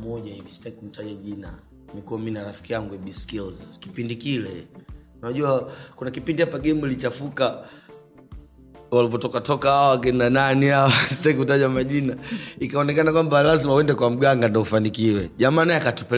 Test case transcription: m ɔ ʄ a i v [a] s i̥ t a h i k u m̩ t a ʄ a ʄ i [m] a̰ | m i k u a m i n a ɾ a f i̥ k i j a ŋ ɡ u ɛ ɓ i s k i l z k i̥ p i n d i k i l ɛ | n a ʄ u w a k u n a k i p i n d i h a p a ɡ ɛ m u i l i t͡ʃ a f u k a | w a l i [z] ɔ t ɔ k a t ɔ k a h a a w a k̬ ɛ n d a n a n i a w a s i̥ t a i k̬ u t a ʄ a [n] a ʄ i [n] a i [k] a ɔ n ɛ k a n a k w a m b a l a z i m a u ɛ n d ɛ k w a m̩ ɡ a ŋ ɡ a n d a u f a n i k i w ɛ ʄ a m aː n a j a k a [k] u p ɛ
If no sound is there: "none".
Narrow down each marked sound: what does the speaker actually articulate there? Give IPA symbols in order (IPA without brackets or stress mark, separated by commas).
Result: i, n, v, m, n, k, t